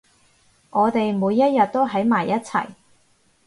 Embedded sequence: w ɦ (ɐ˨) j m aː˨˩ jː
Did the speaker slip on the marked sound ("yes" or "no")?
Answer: yes